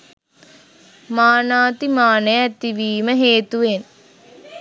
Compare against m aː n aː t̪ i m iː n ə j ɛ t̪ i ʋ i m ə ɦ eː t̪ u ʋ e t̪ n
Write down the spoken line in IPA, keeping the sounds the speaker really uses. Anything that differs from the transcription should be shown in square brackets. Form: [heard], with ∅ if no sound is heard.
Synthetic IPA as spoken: m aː n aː t̪ i m [aː] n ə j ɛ t̪ i ʋ [iː] m ə ɦ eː t̪ u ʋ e [∅] n